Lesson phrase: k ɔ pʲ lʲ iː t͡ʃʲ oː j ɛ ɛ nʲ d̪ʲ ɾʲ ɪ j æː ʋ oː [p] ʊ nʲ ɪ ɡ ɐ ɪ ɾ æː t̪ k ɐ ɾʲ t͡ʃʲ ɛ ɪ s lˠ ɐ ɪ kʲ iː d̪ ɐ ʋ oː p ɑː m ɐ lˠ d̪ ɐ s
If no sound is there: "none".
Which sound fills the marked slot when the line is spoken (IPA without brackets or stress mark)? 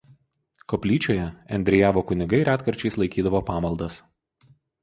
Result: k